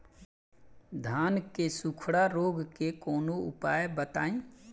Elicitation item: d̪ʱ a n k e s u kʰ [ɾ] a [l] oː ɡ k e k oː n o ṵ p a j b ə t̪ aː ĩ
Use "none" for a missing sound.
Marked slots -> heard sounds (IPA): ɽ, ɾ

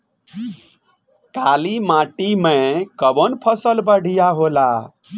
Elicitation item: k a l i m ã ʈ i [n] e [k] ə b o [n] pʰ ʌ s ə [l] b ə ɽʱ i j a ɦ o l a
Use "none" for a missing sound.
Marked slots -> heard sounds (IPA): m, k, n, l

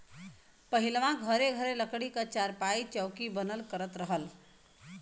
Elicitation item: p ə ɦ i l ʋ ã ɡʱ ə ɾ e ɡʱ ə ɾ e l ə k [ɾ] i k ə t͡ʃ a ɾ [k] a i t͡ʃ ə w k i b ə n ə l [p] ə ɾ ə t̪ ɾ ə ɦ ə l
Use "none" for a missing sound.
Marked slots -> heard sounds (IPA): ɽ, p, k

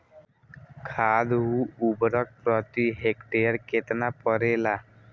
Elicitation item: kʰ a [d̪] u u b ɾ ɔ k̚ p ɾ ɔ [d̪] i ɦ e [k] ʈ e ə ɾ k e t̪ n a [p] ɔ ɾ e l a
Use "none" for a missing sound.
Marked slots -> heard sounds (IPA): d̪, t̪, k, p

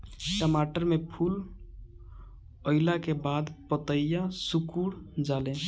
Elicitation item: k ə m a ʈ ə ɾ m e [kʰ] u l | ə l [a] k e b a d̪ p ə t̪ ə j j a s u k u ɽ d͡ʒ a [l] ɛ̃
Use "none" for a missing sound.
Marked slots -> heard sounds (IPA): pʰ, a, l

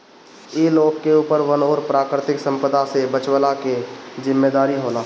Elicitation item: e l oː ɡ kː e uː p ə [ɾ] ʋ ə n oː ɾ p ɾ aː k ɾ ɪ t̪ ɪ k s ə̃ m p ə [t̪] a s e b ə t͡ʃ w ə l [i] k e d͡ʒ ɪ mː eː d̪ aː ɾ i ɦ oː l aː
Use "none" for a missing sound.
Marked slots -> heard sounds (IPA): ɾ, d̪, a

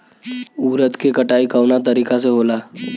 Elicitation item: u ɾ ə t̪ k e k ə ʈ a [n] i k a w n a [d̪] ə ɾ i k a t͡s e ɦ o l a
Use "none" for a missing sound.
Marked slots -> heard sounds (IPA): none, t̪

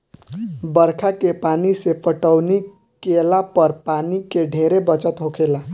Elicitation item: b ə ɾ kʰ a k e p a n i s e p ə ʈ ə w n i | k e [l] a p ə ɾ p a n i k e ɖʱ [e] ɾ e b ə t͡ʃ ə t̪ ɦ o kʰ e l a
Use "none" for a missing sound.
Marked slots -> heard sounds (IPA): l, e

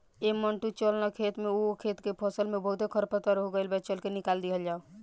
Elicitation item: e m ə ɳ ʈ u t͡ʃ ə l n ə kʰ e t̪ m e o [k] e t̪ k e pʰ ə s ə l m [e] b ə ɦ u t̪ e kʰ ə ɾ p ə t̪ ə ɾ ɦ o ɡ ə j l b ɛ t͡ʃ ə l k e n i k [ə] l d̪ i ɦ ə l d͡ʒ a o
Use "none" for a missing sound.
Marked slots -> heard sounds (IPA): kʰ, e, a

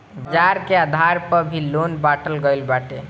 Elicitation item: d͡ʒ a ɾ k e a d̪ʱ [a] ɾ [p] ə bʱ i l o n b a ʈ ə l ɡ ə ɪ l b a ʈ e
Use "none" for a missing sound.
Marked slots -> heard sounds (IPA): a, p

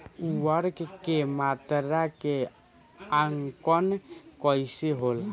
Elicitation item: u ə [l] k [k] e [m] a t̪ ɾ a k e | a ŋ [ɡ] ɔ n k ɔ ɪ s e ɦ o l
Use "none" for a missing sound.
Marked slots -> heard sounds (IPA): ɾ, k, m, k

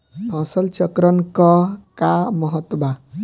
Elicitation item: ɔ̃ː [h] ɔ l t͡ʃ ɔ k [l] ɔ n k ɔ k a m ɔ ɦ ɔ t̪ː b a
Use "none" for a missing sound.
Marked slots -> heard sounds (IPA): s, ɾ

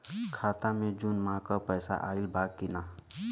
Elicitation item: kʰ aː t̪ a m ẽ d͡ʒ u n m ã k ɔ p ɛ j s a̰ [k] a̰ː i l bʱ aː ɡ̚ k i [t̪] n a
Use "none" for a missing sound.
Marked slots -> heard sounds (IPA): ʔ, none

